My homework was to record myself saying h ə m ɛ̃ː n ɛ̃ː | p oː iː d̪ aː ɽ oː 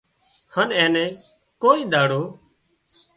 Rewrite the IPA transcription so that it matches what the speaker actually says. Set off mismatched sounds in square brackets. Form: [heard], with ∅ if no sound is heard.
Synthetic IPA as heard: h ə [n] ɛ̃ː n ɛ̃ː | [k] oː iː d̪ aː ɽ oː

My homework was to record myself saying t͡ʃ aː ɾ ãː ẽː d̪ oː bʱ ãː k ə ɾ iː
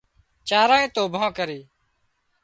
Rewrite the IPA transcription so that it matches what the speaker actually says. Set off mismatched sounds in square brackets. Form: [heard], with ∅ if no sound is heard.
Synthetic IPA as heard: t͡ʃ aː ɾ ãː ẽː [t̪] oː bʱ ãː k ə ɾ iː

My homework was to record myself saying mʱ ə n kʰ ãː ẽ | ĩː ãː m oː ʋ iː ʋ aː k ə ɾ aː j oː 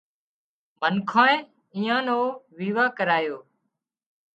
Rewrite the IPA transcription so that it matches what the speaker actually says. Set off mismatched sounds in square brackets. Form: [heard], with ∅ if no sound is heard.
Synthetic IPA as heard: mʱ ə n kʰ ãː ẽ | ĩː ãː [n] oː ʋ iː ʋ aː k ə ɾ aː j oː

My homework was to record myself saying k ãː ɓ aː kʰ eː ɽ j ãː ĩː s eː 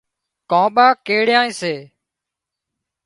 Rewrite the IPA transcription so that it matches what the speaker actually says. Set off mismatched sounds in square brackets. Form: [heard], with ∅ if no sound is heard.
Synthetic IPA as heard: k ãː ɓ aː [k] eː ɽ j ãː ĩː s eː

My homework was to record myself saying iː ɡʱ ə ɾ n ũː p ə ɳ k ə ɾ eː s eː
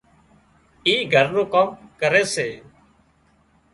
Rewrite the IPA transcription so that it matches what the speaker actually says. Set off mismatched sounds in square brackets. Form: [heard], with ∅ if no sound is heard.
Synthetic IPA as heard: iː ɡʱ ə ɾ n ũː [k] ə [m] k ə ɾ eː s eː

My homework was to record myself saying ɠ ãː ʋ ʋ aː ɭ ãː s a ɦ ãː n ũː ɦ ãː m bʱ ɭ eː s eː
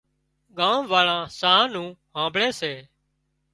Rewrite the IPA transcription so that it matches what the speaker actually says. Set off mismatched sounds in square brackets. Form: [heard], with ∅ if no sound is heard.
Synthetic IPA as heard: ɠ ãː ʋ ʋ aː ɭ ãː s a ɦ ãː n ũː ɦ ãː m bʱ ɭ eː s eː

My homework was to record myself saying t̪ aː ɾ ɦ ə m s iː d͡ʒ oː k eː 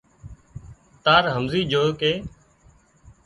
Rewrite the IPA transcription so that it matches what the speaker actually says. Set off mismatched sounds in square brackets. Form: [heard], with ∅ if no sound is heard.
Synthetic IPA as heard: t̪ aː ɾ ɦ ə m [z] iː d͡ʒ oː k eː

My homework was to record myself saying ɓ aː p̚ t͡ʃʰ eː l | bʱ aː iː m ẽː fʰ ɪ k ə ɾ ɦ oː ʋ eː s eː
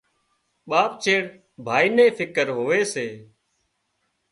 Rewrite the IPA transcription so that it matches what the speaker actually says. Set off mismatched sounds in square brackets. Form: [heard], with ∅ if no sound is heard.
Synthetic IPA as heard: ɓ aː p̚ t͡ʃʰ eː [ɽ] | bʱ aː iː [n] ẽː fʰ ɪ k ə ɾ ɦ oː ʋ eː s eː

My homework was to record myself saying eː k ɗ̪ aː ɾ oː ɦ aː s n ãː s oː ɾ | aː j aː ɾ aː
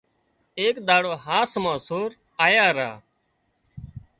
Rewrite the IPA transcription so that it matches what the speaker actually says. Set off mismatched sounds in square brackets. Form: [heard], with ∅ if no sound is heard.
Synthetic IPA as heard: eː k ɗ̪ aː [ɽ] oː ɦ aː s [m] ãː s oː ɾ | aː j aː ɾ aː

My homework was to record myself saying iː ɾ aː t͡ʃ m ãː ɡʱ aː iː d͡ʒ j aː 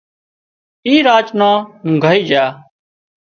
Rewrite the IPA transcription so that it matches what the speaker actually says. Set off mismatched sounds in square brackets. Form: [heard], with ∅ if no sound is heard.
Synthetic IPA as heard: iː ɾ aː t͡ʃ [n] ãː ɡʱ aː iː d͡ʒ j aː

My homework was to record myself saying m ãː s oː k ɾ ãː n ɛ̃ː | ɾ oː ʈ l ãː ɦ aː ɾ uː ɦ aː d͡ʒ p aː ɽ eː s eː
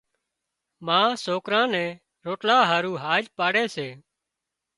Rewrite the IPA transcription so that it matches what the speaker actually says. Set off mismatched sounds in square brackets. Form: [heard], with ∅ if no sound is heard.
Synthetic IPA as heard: m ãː s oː k ɾ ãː n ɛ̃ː | ɾ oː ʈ l [aː] ɦ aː ɾ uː ɦ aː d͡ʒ p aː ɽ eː s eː

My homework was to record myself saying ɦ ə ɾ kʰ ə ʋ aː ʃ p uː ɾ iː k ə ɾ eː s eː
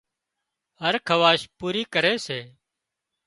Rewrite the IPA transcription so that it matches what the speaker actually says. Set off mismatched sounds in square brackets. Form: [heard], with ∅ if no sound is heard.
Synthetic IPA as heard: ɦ ə ɾ kʰ ə ʋ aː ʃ p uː ɾ iː k ə ɾ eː s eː

